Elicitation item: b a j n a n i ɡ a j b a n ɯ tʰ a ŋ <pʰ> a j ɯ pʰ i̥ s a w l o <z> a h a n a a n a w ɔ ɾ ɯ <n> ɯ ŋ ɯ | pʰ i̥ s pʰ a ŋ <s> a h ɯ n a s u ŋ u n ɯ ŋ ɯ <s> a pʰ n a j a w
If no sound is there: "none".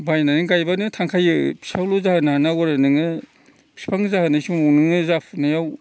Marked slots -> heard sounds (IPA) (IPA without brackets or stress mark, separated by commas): kʰ, z, n, z, z